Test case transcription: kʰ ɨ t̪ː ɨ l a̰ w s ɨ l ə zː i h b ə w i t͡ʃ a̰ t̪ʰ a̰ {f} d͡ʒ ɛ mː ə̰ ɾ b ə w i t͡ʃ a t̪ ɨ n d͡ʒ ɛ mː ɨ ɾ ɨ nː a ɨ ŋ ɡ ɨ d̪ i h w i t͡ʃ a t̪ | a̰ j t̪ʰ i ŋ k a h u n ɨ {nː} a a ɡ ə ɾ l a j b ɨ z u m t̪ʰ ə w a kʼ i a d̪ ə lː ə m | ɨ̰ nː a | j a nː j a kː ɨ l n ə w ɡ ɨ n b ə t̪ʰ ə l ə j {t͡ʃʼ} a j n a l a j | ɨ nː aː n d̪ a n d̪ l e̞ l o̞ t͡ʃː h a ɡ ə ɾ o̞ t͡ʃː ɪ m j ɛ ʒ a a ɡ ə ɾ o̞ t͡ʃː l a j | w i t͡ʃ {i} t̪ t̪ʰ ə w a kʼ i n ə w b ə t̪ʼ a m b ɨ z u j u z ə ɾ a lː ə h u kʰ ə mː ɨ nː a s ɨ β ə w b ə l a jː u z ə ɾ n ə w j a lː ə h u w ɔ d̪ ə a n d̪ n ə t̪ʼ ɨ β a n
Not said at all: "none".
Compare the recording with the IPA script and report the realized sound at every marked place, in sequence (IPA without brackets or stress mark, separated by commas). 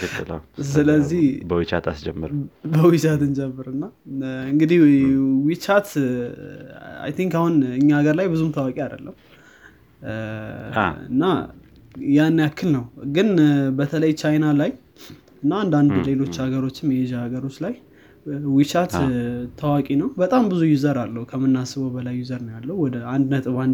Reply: s, ɲː, t͡ʃ, a